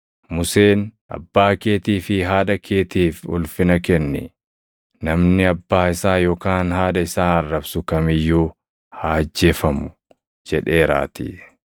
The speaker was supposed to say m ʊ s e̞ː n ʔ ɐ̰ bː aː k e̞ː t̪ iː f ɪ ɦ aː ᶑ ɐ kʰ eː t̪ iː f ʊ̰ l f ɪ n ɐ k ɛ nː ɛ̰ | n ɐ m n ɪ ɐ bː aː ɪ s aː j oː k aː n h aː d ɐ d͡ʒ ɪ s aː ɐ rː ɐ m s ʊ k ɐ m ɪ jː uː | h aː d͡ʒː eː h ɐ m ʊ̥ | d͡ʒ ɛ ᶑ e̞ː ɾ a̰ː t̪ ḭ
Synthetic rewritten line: m ʊ s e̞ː n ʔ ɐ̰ bː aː k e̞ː t̪ iː f ɪ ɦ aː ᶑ ɐ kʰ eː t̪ iː f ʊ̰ l f ɪ n ɐ k ɛ nː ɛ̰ | n ɐ m n ɪ ɐ bː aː ɪ s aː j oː k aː n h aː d ɐ ɪ s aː ɐ rː ɐ b s ʊ k ɐ m ɪ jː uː | h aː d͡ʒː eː f ɐ m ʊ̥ | d͡ʒ ɛ ᶑ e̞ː ɾ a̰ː t̪ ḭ

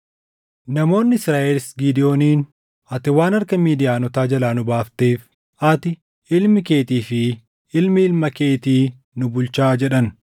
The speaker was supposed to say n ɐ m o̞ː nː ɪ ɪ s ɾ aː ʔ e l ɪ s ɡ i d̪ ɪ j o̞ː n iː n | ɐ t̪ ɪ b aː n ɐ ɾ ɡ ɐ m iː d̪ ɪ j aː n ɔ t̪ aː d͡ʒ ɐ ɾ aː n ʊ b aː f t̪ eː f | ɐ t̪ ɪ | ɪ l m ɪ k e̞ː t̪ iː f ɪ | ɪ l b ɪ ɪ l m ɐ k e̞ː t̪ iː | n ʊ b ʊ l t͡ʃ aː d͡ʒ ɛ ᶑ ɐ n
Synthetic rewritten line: n ɐ m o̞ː nː ɪ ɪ s ɾ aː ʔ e l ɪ s ɡ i d̪ ɪ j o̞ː n iː n | ɐ t̪ ɪ w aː n ɐ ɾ k ɐ m iː d̪ ɪ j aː n ɔ t̪ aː d͡ʒ ɐ l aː n ʊ b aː f t̪ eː f | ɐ t̪ ɪ | ɪ l m ɪ k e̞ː t̪ iː f ɪ | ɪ l m ɪ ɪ l m ɐ k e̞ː t̪ iː | n ʊ b ʊ l t͡ʃ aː d͡ʒ ɛ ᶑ ɐ n

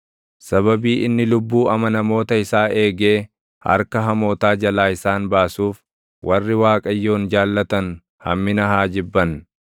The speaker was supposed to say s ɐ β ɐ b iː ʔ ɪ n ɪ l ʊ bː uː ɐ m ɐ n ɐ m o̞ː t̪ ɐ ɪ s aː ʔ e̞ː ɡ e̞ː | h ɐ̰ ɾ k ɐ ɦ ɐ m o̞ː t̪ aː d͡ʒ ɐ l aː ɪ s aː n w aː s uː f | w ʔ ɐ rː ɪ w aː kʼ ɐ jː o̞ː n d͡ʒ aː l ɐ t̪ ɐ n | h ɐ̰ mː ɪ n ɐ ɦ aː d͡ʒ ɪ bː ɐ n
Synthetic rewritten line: s ɐ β ɐ b iː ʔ ɪ nː ɪ l ʊ bː uː ɐ m ɐ n ɐ m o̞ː t̪ ɐ ɪ s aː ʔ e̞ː ɡ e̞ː | h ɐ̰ ɾ k ɐ ɦ ɐ m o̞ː t̪ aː d͡ʒ ɐ l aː ɪ s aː n b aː s uː f | w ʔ ɐ rː ɪ w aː kʼ ɐ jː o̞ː n d͡ʒ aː lː ɐ t̪ ɐ n | h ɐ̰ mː ɪ n ɐ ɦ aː d͡ʒ ɪ bː ɐ n

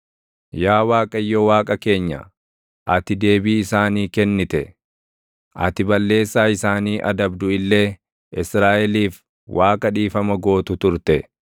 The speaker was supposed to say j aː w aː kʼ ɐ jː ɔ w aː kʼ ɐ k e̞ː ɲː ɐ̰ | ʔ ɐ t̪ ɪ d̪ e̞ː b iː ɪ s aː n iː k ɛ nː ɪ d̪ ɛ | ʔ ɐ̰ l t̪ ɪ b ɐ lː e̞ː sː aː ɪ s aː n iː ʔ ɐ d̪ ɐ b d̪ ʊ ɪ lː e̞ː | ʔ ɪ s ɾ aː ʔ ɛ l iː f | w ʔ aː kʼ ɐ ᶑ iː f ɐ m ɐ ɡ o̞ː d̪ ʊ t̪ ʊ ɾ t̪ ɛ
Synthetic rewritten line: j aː w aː kʼ ɐ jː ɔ w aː kʼ ɐ k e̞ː ɲː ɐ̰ | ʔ ɐ t̪ ɪ d̪ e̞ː b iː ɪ s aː n iː k ɛ nː ɪ t̪ ɛ | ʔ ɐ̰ t̪ ɪ b ɐ lː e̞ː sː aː ɪ s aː n iː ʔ ɐ d̪ ɐ b d̪ ʊ ɪ lː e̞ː | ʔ ɪ s ɾ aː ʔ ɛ l iː f | w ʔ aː kʼ ɐ ᶑ iː f ɐ m ɐ ɡ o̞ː t̪ ʊ t̪ ʊ ɾ t̪ ɛ

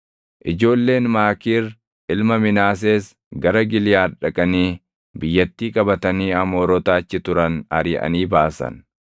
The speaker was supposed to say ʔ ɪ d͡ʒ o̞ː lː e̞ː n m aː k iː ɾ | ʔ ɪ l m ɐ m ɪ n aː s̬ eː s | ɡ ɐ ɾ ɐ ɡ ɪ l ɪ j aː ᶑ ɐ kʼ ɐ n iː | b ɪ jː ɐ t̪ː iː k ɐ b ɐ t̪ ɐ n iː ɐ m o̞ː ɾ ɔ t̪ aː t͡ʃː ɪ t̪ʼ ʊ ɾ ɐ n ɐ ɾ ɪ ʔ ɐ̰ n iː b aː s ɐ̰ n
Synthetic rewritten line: ʔ ɪ d͡ʒ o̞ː lː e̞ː n m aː k iː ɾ | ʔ ɪ l m ɐ m ɪ n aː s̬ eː s | ɡ ɐ ɾ ɐ ɡ ɪ l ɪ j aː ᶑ ɐ kʼ ɐ n iː | b ɪ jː ɐ t̪ː iː kʼ ɐ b ɐ t̪ ɐ n iː ɐ m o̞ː ɾ ɔ t̪ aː t͡ʃː ɪ t̪ ʊ ɾ ɐ n ɐ ɾ ɪ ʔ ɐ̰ n iː b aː s ɐ̰ n

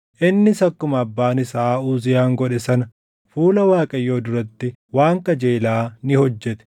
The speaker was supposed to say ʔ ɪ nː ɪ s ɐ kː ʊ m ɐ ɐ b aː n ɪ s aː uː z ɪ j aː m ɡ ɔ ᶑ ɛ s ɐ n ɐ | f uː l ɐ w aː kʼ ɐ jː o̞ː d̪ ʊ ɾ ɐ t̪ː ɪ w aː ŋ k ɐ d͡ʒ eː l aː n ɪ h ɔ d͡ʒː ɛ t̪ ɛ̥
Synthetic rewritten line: ʔ ɪ nː ɪ s ɐ kː ʊ m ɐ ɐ bː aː n ɪ s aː uː z ɪ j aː ŋ ɡ ɔ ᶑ ɛ s ɐ n ɐ | f uː l ɐ w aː kʼ ɐ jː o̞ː d̪ ʊ ɾ ɐ t̪ː ɪ w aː ŋ k ɐ d͡ʒ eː l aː n ɪ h ɔ d͡ʒː ɛ t̪ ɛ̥

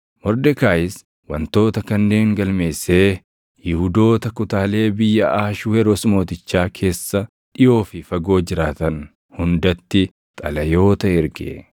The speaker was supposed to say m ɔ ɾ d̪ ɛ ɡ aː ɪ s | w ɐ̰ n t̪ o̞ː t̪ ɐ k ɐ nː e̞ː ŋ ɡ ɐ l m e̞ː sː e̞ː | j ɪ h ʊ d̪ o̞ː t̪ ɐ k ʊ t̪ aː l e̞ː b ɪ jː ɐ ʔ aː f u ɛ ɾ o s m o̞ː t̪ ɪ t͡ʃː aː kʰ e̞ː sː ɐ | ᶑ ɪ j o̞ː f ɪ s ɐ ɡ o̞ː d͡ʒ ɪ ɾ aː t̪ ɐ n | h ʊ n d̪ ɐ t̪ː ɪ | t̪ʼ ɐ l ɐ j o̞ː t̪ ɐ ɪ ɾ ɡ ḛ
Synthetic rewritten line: m ɔ ɾ d̪ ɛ k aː ɪ s | w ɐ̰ n t̪ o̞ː t̪ ɐ k ɐ nː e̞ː ŋ ɡ ɐ l m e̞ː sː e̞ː | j ɪ h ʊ d̪ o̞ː t̪ ɐ k ʊ t̪ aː l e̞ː b ɪ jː ɐ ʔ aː ʃ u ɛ ɾ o s m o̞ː t̪ ɪ t͡ʃː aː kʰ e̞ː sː ɐ | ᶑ ɪ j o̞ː f ɪ f ɐ ɡ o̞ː d͡ʒ ɪ ɾ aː t̪ ɐ n | h ʊ n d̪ ɐ t̪ː ɪ | t̪ʼ ɐ l ɐ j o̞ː t̪ ɐ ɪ ɾ ɡ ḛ

